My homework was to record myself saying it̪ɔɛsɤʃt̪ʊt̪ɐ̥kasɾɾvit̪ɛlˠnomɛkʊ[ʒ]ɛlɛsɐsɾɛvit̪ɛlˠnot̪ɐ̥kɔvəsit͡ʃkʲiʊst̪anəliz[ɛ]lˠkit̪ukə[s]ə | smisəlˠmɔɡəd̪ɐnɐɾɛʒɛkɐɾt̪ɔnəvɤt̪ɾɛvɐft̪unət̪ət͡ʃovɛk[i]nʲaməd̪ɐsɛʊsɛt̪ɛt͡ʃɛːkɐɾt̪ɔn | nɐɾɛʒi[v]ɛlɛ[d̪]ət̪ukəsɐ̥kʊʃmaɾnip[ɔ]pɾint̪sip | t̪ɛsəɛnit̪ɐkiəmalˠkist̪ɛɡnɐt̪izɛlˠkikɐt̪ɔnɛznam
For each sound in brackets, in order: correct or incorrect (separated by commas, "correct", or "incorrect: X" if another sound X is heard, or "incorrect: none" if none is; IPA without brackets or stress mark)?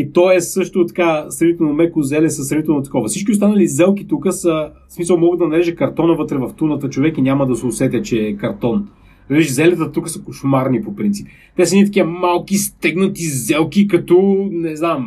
incorrect: z, correct, correct, correct, incorrect: z, incorrect: t̪, incorrect: o